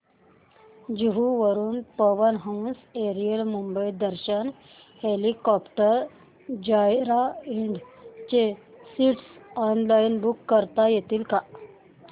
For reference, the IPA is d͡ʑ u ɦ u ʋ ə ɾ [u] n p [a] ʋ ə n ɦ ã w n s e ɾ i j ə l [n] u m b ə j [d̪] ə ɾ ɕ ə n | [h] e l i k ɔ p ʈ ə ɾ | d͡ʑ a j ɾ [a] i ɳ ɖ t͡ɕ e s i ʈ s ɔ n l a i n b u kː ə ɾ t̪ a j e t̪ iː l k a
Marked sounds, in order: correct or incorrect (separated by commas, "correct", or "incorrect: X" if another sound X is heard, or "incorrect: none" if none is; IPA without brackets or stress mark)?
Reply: incorrect: uː, incorrect: ə, incorrect: m, correct, correct, correct